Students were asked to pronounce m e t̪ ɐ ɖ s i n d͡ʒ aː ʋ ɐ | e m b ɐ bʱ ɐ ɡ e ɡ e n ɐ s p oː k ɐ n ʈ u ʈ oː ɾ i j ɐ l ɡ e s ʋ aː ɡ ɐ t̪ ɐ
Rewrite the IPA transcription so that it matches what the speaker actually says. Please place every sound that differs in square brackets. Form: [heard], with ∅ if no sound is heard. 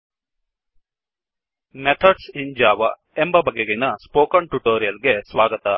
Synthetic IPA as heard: m e [t̪ʰ] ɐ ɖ s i n d͡ʒ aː ʋ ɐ | e m b ɐ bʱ ɐ ɡ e ɡ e n ɐ s p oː k ɐ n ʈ u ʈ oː ɾ i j ɐ l ɡ e s ʋ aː ɡ ɐ t̪ ɐ